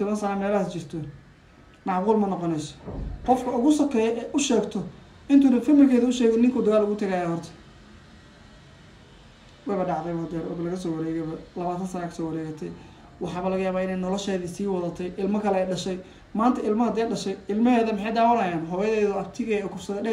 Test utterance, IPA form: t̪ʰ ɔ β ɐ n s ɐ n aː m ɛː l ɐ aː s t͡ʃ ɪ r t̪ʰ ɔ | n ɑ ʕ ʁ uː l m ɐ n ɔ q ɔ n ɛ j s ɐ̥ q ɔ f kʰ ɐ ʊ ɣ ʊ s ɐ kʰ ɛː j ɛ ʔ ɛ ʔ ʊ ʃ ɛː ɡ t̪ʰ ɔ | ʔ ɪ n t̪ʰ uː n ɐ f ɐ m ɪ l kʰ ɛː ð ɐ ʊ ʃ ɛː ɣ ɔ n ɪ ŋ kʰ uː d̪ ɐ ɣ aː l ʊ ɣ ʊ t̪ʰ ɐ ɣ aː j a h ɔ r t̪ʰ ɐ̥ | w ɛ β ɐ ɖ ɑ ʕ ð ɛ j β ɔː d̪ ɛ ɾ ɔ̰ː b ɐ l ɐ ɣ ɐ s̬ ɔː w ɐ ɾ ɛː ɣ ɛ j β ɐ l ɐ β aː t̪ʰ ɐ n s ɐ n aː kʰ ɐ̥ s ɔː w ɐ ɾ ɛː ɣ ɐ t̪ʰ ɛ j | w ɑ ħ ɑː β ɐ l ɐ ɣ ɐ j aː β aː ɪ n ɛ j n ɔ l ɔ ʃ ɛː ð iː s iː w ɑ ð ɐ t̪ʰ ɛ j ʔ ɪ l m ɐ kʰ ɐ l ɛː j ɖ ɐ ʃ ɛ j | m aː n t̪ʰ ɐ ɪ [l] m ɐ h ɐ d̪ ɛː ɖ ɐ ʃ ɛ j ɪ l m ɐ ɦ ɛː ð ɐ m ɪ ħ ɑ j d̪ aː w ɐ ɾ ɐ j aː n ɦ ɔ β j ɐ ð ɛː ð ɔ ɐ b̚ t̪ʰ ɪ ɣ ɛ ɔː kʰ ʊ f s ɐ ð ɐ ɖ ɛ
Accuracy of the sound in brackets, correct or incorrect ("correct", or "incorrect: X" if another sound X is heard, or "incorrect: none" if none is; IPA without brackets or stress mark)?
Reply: correct